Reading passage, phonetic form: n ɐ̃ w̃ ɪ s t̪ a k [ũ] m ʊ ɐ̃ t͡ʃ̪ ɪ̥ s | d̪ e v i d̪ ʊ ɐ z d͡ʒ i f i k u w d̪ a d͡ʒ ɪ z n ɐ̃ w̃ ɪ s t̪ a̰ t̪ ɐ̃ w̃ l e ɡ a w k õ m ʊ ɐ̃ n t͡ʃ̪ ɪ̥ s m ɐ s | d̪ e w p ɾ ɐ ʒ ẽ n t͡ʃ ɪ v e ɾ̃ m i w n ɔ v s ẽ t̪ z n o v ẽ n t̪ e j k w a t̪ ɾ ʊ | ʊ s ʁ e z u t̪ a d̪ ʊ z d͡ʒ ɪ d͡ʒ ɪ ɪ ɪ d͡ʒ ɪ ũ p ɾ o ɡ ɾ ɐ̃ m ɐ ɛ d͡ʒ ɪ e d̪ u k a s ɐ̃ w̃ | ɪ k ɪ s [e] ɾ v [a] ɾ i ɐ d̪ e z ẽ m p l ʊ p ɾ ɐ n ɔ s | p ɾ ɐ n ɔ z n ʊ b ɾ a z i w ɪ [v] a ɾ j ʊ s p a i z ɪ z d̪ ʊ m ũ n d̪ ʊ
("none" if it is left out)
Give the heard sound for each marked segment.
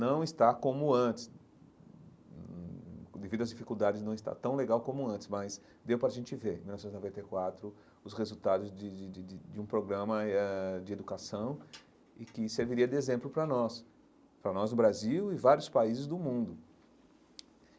õ, e, i, v

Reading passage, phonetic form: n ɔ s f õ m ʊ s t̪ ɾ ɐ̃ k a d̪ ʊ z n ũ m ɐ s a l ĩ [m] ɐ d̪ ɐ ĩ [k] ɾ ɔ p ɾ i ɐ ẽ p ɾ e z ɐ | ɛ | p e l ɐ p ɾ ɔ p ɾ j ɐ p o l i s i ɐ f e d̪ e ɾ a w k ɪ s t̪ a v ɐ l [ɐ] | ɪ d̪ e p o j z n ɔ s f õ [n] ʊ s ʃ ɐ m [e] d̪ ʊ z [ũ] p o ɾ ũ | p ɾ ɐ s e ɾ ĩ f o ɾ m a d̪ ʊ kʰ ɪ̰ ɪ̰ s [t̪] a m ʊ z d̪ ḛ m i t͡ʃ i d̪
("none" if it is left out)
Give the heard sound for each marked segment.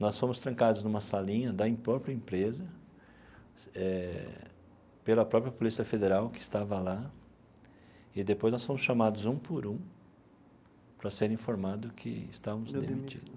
ɲ, p, a, m, a, ũ, t̪

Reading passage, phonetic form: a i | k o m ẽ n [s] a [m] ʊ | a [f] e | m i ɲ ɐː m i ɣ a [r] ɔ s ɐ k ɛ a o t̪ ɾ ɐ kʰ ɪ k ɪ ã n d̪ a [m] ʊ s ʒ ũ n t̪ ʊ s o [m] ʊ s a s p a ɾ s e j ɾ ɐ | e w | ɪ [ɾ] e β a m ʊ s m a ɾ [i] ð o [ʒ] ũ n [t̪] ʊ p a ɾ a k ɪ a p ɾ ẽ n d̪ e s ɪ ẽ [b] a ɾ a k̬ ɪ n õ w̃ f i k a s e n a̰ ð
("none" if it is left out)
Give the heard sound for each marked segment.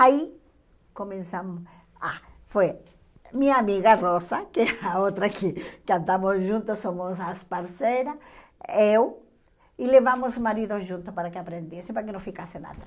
s, m, f, r, m, m, l, i, ʒ, t̪, p

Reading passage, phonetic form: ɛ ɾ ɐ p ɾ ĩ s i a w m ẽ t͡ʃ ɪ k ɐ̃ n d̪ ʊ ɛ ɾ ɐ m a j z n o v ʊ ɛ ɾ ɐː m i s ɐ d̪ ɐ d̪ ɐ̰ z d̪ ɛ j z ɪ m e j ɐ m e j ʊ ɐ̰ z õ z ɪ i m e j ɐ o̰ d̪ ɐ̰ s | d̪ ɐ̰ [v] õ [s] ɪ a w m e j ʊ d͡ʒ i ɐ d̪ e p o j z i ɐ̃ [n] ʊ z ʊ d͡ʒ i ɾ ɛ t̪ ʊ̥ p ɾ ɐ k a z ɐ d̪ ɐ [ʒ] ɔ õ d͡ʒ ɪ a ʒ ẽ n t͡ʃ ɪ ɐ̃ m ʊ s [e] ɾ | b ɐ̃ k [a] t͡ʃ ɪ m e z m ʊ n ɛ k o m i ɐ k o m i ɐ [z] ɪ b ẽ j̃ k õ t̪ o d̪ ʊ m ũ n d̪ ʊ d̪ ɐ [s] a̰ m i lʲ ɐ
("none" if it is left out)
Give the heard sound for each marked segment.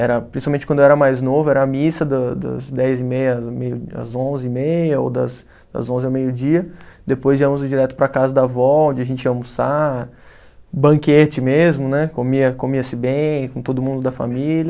z, z, m, v, a, e, s, f

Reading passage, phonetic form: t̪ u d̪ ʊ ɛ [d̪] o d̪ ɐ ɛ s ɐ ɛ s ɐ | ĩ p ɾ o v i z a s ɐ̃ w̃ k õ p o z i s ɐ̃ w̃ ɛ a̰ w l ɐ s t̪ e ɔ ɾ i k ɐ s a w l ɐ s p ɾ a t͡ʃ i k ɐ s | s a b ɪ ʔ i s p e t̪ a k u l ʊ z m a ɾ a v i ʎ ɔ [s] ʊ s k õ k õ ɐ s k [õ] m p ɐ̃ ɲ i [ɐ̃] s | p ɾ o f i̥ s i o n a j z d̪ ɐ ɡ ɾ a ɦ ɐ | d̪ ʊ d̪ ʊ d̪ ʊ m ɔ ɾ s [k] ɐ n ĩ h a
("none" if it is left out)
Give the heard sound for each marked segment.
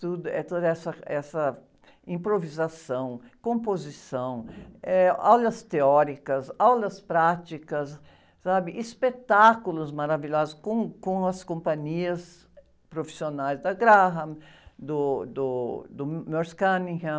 t̪, z, õ, ɐ, k

